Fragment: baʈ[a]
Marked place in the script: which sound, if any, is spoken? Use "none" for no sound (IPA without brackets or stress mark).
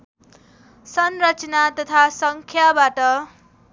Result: ʌ